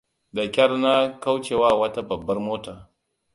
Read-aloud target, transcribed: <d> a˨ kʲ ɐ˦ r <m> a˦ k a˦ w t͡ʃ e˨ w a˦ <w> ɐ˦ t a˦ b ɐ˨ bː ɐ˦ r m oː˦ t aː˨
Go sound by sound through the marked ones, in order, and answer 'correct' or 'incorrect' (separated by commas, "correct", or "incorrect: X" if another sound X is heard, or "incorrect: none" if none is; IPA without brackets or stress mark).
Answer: correct, incorrect: n, correct